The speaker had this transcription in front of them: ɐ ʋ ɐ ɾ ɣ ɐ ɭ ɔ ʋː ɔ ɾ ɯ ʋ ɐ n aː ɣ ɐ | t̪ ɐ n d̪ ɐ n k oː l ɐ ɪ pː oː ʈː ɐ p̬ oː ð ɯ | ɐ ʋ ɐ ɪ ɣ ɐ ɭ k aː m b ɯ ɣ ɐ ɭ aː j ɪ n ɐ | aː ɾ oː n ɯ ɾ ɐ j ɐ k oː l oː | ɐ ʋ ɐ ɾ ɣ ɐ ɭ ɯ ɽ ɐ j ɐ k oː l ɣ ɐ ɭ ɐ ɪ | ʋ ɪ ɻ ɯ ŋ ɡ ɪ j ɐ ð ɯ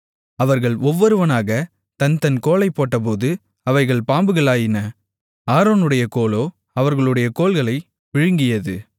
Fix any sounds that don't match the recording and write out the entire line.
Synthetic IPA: ɐ ʋ ɐ ɾ ɣ ɐ ɭ ɔ ʋː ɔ ɾ ɯ ʋ ɐ n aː ɣ ɐ | t̪ ɐ n t̪ ɐ n k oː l ɐ ɪ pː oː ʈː ɐ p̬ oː ð ɯ | ɐ ʋ ɐ ɪ ɣ ɐ ɭ p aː m b ɯ ɣ ɐ ɭ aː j ɪ n ɐ | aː ɾ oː n ɯ ɽ ɐ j ɐ k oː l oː | ɐ ʋ ɐ ɾ ɣ ɐ ɭ ɯ ɽ ɐ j ɐ k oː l ɣ ɐ ɭ ɐ ɪ | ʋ ɪ ɻ ɯ ŋ ɡ ɪ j ɐ ð ɯ